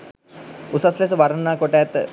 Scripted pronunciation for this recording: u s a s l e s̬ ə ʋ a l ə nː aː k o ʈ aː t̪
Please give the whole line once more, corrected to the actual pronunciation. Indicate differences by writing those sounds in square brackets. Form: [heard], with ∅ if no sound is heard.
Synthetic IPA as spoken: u s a s l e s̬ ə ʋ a [ɾ] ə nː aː k o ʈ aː t̪